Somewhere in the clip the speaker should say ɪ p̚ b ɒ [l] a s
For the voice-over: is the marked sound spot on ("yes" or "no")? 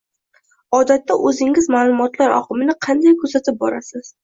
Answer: no